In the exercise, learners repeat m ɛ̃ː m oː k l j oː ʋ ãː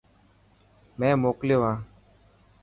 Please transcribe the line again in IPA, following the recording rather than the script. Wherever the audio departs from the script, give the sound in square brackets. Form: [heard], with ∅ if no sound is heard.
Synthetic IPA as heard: m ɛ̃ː m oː k l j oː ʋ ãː

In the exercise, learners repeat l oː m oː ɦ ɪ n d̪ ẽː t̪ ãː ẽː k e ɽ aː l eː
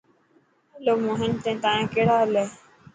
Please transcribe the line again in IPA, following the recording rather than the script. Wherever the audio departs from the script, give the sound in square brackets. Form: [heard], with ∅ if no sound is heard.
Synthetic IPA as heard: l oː m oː ɦ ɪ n [t̪] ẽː t̪ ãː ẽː k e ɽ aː l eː

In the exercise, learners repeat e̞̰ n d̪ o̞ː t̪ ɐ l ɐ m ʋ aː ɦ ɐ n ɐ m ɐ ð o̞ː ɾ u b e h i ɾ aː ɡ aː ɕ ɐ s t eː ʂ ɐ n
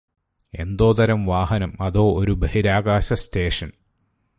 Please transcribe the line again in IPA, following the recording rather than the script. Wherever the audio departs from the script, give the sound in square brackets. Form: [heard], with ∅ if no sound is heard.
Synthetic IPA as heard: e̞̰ n d̪ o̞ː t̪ ɐ [ɾ] ɐ m ʋ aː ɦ ɐ n ɐ m ɐ ð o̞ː ɾ u b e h i ɾ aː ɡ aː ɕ ɐ s t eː ʂ ɐ n

